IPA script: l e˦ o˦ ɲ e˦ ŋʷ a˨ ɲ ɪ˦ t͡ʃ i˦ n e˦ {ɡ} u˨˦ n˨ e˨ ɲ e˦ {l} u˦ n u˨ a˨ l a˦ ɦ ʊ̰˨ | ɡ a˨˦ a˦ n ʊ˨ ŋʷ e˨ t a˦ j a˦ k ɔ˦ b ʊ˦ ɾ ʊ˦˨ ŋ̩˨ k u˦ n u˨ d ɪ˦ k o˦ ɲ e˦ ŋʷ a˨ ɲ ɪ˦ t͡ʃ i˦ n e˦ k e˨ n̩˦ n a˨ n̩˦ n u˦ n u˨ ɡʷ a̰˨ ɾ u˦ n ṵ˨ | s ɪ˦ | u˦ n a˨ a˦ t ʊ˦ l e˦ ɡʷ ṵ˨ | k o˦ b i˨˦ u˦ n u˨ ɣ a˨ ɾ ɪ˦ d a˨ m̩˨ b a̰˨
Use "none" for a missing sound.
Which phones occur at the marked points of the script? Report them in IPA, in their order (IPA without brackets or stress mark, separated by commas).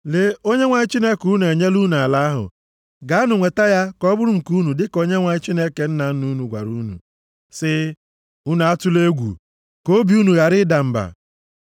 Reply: k, l